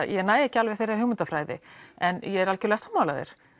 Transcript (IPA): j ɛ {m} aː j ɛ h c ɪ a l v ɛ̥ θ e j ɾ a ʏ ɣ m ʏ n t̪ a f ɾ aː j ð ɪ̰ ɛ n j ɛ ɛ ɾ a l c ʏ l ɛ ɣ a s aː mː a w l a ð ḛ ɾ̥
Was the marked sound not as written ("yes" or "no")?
yes